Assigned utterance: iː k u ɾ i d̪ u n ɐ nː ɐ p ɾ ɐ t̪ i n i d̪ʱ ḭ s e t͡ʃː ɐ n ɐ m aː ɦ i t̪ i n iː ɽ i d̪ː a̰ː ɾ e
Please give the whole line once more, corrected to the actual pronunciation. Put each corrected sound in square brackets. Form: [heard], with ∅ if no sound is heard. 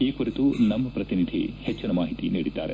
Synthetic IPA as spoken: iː k u ɾ i [t̪] u n ɐ [mː] ɐ p ɾ ɐ t̪ i n i d̪ʱ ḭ [h] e t͡ʃː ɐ n ɐ m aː ɦ i t̪ i n iː ɽ i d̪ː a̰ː ɾ e